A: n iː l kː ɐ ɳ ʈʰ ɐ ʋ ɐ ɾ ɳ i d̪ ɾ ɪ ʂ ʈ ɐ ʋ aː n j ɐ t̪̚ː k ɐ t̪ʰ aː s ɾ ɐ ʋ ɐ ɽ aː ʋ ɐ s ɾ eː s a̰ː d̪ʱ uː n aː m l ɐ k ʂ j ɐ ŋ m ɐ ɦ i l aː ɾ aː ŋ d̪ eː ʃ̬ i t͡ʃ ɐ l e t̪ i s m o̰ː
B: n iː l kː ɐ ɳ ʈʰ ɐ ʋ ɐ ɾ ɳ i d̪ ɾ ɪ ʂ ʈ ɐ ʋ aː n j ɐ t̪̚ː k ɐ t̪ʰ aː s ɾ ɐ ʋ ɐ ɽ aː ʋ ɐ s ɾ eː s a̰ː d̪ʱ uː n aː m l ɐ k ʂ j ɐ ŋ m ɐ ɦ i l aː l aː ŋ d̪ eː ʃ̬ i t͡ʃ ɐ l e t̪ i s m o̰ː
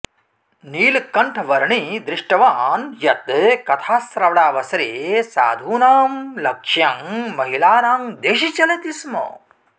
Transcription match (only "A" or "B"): A